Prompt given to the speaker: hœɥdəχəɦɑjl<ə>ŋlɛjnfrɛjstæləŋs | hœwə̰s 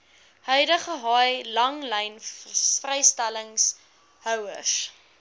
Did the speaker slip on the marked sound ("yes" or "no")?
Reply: yes